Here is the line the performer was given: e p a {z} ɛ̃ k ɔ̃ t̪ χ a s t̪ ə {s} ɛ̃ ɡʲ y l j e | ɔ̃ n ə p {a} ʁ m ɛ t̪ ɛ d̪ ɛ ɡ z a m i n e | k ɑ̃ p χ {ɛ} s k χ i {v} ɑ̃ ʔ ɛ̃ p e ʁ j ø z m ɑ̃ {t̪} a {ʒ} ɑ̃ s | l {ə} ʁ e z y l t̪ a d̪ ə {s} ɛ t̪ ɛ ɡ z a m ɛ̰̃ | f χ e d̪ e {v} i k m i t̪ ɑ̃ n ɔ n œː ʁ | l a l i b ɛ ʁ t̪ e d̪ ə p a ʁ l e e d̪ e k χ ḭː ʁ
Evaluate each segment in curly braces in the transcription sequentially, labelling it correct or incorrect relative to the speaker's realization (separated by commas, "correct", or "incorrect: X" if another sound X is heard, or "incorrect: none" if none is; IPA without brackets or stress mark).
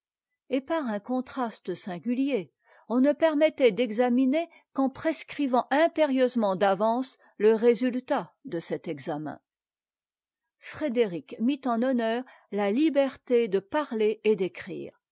incorrect: ʁ, correct, incorrect: ɛ, incorrect: e, correct, incorrect: d̪, incorrect: v, correct, correct, incorrect: ʁ